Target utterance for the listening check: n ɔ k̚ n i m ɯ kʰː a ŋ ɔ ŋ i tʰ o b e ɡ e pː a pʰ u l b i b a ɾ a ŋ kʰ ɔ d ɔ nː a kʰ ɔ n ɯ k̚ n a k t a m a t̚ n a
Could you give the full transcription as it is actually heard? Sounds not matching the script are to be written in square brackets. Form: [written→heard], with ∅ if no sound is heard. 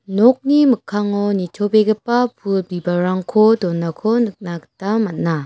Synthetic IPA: n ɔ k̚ n i m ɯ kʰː a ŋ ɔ [ŋ→n] i tʰ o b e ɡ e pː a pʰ u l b i b a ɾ a ŋ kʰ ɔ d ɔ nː a kʰ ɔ n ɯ k̚ n a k t a m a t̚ n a